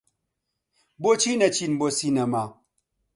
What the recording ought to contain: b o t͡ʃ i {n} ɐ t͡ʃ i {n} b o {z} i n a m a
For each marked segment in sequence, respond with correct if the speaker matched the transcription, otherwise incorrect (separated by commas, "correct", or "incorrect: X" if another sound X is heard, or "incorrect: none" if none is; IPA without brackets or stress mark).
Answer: correct, correct, incorrect: s